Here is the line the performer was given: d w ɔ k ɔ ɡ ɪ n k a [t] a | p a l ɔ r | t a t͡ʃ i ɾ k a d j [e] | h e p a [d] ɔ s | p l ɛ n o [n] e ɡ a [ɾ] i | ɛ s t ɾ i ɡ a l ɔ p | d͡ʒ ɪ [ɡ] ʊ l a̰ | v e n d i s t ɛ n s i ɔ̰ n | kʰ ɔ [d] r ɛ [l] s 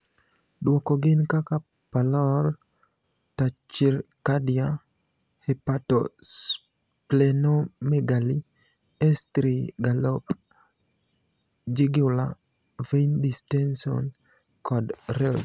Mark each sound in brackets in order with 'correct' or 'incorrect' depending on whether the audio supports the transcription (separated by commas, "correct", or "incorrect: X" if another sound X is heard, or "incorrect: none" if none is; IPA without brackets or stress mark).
incorrect: k, incorrect: a, incorrect: t, incorrect: m, incorrect: l, correct, correct, correct